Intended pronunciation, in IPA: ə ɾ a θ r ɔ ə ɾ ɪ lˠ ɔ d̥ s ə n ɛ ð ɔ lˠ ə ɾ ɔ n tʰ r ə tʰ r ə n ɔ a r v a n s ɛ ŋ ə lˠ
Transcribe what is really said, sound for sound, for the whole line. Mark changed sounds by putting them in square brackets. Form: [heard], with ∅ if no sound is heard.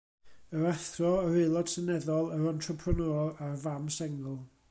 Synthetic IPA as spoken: ə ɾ a θ r ɔ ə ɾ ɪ lˠ ɔ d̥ s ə n ɛ ð ɔ lˠ ə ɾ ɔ n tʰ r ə [pʰ] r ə n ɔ a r v a [m] s ɛ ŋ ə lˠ